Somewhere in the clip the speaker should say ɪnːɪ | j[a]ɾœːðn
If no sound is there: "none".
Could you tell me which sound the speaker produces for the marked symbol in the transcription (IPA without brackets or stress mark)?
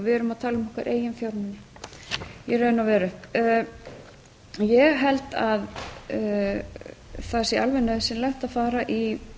ɛ